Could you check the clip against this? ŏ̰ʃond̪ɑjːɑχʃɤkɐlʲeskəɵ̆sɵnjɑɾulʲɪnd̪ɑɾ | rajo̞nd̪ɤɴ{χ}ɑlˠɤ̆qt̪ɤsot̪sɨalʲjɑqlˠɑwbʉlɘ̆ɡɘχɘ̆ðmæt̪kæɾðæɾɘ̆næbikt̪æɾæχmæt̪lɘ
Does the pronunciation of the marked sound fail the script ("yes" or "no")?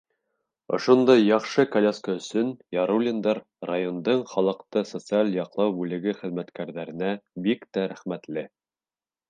no